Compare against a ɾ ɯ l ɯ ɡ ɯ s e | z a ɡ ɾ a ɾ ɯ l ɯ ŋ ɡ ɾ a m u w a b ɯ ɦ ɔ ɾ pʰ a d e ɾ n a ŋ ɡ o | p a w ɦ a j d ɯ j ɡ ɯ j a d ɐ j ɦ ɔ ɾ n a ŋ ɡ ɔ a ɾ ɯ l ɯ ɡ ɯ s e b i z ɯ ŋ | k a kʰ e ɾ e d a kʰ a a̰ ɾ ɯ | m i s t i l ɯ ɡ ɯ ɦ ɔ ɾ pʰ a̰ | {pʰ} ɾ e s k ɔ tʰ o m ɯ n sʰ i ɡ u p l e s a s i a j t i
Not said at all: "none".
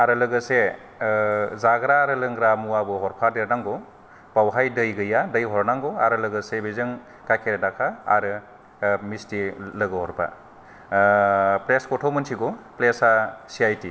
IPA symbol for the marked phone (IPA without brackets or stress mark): p